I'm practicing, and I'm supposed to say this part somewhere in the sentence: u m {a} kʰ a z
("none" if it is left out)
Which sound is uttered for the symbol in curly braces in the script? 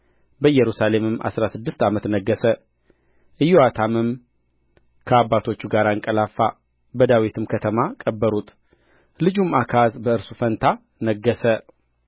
a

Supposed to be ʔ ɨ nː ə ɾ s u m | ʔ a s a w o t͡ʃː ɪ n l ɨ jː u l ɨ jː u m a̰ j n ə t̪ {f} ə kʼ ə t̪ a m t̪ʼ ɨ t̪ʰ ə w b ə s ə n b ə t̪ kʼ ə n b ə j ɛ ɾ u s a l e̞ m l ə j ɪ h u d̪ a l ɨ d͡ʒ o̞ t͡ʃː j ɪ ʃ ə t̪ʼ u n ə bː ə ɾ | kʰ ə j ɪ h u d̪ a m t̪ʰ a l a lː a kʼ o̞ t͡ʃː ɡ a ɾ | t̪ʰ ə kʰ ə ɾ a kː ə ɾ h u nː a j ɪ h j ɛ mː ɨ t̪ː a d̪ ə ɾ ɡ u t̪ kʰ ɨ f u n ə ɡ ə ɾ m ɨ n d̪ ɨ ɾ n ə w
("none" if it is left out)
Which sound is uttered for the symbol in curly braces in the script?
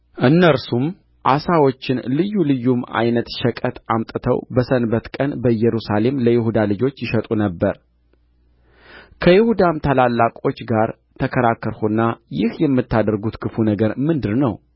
ʃ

